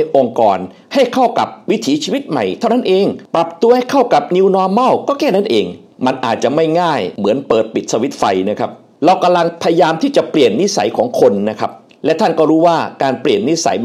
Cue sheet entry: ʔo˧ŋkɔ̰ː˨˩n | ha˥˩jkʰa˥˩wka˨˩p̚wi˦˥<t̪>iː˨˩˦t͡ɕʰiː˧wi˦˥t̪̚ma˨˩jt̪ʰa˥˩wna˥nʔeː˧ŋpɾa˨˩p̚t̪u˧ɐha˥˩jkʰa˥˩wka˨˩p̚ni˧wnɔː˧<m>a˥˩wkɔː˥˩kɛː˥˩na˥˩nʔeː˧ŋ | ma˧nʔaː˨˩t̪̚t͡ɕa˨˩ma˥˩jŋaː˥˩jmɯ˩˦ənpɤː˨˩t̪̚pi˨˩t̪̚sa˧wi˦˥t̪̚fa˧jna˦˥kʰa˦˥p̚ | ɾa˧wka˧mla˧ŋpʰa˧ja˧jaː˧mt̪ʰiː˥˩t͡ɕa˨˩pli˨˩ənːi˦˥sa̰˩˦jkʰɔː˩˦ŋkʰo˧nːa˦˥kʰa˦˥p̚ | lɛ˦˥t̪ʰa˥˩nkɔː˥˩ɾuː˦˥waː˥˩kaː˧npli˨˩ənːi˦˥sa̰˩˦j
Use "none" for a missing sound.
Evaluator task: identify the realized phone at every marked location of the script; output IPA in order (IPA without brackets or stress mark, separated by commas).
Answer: t̪ʰ, m